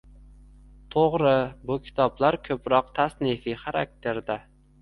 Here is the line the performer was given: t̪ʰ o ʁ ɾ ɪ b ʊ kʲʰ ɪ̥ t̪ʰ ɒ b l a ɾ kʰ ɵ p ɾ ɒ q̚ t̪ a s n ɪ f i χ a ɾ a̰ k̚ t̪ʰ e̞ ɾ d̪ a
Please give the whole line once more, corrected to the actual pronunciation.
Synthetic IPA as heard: t̪ʰ o ʁ ɾ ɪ b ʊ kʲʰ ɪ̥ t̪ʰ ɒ b l a ɾ kʰ ɵ p ɾ ɒ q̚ t̪ʰ a s n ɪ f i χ a ɾ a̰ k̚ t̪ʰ e̞ ɾ d̪ a